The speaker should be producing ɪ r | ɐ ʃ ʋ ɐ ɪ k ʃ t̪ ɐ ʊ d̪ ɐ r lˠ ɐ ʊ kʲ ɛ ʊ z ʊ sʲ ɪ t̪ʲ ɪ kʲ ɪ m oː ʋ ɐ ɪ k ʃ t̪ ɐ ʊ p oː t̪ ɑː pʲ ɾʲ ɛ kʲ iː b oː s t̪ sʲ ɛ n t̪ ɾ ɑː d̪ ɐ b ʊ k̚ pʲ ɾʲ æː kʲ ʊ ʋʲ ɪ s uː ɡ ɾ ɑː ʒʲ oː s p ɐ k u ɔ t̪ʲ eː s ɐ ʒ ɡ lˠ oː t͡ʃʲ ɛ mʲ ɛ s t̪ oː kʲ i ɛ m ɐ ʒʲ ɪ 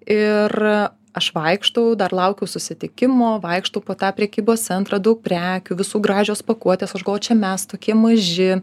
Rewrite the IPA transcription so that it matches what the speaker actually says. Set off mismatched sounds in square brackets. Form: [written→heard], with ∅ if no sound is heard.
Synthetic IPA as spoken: ɪ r | ɐ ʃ ʋ ɐ ɪ k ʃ t̪ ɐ ʊ d̪ ɐ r lˠ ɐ ʊ kʲ ɛ ʊ [z→s] ʊ sʲ ɪ t̪ʲ ɪ kʲ ɪ m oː ʋ ɐ ɪ k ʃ t̪ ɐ ʊ p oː t̪ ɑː pʲ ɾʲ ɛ kʲ iː b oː s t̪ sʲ ɛ n t̪ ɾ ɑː d̪ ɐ [b→∅] ʊ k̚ pʲ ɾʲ æː kʲ ʊ ʋʲ ɪ s uː ɡ ɾ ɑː ʒʲ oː s p ɐ k u ɔ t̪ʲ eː s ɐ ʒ ɡ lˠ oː t͡ʃʲ ɛ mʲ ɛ s t̪ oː kʲ i ɛ m ɐ ʒʲ ɪ